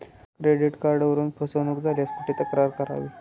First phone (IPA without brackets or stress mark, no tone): k